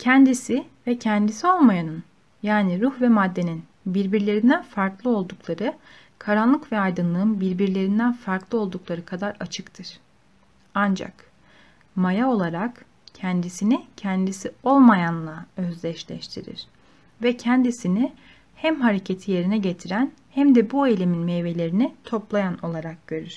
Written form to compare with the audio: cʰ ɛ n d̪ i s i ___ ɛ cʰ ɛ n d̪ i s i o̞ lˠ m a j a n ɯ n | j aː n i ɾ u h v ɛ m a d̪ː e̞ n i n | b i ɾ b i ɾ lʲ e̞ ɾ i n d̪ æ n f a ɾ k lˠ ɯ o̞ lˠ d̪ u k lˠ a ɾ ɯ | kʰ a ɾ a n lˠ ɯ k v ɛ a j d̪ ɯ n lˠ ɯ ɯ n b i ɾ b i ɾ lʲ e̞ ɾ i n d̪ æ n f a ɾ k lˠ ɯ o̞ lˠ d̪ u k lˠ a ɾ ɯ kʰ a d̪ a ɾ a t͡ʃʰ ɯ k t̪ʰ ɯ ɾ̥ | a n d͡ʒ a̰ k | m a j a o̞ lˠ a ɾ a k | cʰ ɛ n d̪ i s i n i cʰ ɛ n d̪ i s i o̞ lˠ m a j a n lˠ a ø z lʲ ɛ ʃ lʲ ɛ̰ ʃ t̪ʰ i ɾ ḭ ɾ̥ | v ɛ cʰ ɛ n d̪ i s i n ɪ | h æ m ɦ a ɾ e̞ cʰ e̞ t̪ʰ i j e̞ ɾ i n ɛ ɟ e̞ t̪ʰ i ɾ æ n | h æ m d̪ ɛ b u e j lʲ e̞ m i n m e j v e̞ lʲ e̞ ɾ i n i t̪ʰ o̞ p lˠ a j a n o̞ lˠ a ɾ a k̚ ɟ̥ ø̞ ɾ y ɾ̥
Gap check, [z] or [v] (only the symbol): v